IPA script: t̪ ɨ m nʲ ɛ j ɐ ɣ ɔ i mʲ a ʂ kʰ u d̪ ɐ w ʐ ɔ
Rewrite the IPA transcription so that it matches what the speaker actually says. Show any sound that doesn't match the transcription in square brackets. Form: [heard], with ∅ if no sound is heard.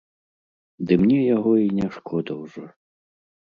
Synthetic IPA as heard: [d̪] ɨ m nʲ ɛ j [a] ɣ ɔ i [nʲ] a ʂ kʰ [ɔ] d̪ ɐ w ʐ ɔ